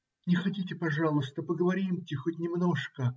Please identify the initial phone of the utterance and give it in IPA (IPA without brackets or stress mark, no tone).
nʲ